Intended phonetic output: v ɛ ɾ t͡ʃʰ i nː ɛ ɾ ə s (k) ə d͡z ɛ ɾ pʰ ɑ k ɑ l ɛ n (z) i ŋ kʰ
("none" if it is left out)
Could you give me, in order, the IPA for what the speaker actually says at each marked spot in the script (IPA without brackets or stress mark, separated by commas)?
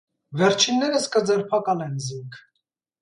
k, z